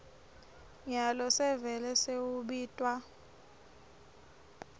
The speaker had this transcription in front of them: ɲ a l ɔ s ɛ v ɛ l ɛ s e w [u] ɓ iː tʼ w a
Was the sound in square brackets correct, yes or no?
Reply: yes